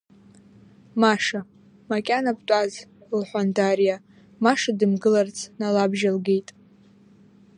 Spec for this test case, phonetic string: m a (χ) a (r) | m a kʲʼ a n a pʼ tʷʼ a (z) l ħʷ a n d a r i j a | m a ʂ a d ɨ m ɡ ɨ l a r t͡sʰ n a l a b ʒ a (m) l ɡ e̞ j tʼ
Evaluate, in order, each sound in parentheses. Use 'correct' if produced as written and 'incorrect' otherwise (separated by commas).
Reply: incorrect, incorrect, correct, incorrect